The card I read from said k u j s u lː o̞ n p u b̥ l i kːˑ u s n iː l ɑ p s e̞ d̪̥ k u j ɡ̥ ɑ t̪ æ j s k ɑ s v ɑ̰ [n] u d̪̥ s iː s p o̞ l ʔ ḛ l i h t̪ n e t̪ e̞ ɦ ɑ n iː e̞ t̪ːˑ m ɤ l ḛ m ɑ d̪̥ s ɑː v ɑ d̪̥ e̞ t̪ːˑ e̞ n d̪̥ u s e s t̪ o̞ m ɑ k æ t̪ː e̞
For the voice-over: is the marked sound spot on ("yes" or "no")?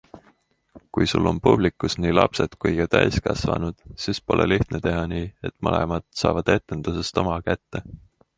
yes